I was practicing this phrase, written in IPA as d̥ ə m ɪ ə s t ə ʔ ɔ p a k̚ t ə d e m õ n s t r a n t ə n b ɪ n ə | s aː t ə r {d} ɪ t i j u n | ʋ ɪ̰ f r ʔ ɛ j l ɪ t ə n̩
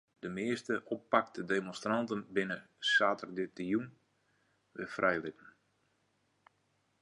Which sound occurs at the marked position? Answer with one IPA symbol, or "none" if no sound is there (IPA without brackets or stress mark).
d